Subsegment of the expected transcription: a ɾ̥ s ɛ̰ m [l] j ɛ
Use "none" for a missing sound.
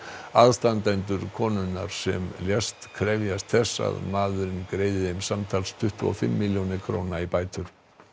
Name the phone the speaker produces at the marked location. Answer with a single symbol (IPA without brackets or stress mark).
l